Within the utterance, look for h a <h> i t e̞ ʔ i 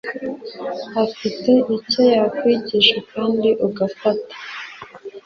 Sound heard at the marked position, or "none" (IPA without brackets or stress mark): f